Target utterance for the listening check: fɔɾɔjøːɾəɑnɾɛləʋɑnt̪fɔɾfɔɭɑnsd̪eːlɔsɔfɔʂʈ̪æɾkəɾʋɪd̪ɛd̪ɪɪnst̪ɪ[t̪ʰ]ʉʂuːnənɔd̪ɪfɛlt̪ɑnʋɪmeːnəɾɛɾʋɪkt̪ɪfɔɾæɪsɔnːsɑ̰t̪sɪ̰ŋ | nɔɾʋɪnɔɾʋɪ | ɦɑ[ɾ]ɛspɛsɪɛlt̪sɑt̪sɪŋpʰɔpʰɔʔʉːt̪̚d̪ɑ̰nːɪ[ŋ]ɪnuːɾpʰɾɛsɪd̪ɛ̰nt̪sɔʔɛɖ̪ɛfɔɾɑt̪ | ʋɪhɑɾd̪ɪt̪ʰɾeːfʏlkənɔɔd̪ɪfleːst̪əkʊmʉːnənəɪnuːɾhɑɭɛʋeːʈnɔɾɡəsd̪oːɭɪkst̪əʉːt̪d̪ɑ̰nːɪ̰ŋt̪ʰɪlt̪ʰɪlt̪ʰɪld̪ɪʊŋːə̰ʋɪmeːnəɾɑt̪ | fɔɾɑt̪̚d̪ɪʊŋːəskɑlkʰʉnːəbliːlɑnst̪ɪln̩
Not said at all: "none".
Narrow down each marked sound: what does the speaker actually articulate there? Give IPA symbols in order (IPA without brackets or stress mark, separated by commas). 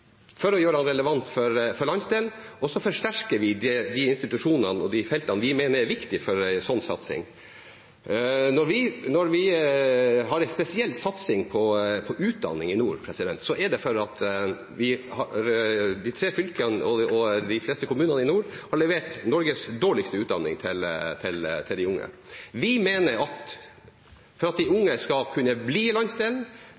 t̪, ɾ, ŋ